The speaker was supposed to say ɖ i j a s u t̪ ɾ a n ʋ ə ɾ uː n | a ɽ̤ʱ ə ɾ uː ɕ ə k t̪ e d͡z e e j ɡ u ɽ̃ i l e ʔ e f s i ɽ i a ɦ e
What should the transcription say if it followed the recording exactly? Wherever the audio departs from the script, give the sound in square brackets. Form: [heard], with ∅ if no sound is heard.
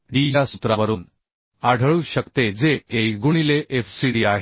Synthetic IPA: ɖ i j a s u t̪ ɾ a [∅] ʋ ə ɾ uː n | a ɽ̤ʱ ə [ɭ] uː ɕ ə k t̪ e d͡z e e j ɡ u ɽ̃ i l e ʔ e f s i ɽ i a ɦ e